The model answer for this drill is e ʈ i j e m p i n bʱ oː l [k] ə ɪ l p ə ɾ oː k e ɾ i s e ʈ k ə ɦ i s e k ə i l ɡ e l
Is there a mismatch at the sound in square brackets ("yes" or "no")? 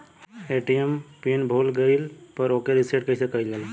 yes